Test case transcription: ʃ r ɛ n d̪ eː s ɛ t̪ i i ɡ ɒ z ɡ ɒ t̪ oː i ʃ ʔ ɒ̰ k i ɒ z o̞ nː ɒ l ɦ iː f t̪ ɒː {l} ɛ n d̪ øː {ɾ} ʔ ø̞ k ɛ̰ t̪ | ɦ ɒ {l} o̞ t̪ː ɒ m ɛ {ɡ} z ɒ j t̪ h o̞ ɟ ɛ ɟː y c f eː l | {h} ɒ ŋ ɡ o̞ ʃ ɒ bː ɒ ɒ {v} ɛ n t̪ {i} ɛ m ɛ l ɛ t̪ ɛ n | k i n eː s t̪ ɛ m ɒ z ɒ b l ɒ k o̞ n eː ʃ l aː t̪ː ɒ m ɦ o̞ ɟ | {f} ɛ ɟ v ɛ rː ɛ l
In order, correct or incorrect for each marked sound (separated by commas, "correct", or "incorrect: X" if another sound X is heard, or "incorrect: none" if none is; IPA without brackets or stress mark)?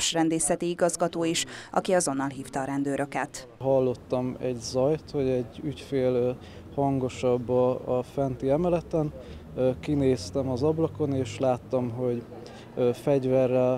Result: incorrect: ɾ, correct, incorrect: lː, incorrect: ɟ, correct, incorrect: f, correct, correct